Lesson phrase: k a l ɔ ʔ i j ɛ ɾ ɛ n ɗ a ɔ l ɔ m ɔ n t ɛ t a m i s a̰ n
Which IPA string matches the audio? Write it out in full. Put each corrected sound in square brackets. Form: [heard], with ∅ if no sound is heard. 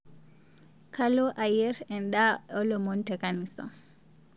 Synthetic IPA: k a l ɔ ʔ [a] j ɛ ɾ ɛ n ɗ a ɔ l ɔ m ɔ n t ɛ [k] a [n] i s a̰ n